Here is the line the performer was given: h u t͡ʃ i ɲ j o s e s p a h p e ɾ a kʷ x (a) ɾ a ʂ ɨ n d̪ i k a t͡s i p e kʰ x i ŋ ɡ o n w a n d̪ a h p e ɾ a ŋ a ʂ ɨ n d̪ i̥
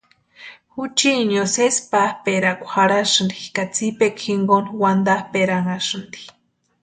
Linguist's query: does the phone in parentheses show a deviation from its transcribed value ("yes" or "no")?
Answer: no